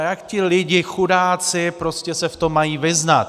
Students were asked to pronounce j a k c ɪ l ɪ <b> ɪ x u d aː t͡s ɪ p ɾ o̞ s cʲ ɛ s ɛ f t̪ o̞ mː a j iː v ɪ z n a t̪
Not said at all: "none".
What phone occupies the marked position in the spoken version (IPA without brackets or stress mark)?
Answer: ɟ